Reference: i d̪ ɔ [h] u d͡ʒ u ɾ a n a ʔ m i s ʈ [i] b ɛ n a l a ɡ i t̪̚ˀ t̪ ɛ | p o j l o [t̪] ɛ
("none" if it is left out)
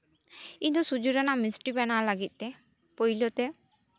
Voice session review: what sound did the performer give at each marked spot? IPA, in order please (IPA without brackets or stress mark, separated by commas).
s, i, t̪